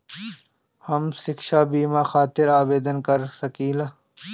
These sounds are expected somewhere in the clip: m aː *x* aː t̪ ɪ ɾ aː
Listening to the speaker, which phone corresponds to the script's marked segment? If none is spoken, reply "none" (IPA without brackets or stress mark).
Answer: x